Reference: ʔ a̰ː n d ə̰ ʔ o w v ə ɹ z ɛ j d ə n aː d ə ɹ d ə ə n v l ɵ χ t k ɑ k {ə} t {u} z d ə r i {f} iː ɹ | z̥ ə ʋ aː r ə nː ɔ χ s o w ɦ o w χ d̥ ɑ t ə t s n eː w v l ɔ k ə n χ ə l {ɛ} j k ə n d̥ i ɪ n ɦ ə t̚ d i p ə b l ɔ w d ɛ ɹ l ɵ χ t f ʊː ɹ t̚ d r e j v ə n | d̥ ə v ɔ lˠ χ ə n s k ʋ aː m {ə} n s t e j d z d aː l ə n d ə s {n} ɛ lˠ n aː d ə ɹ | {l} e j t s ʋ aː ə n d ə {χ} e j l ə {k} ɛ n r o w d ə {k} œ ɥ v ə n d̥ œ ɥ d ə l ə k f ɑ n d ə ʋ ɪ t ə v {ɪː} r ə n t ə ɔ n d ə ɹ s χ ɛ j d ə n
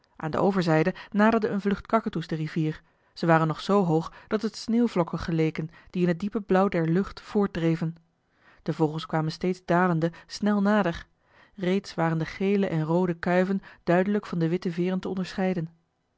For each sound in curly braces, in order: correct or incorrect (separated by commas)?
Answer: correct, correct, incorrect, incorrect, correct, correct, incorrect, correct, incorrect, correct, correct